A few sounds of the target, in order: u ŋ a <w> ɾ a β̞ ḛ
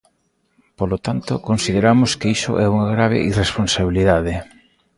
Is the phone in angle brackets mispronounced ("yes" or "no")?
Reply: yes